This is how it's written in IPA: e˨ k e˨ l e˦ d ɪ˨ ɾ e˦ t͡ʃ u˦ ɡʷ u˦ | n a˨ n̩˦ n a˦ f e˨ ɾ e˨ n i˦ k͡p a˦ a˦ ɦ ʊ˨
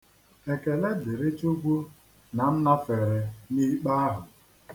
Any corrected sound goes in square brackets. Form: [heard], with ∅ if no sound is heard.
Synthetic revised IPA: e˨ k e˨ l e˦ d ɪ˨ ɾ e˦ t͡ʃ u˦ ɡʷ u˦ | n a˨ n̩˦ n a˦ f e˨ ɾ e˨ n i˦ k͡p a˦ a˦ ɦ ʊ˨